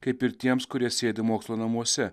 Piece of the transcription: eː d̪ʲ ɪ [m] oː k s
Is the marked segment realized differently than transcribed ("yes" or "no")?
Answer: no